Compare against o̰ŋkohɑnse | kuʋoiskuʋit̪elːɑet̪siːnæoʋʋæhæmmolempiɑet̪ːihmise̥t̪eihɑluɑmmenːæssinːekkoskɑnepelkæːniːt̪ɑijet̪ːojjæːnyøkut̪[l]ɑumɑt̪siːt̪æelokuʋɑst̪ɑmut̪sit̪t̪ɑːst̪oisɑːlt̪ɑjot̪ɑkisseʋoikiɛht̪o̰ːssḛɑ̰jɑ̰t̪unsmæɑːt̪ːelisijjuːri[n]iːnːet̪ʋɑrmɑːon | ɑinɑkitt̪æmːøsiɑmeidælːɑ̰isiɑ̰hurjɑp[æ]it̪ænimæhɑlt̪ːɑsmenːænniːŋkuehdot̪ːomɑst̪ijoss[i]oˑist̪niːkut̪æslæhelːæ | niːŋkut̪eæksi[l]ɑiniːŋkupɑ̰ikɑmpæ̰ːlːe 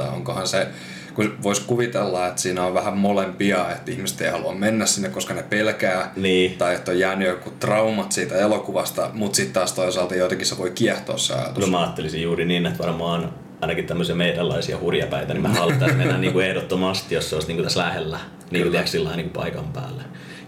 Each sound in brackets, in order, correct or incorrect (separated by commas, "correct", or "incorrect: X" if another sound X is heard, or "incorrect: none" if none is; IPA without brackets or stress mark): incorrect: r, correct, correct, incorrect: e, incorrect: lː